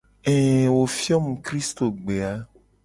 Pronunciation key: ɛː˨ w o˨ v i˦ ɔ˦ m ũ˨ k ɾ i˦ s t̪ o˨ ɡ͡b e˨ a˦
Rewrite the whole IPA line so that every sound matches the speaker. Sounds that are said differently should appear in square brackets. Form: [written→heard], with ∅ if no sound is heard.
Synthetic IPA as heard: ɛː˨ w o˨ [v→f] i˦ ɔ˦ m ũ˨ k ɾ i˦ s t̪ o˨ ɡ͡b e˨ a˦